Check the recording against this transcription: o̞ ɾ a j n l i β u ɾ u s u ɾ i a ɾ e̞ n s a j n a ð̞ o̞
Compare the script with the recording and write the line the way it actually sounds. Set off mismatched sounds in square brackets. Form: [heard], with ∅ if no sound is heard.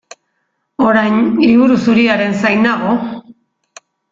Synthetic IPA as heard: o̞ ɾ a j n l i β u ɾ u s u ɾ i a ɾ e̞ n s a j n a [ɣ̞] o̞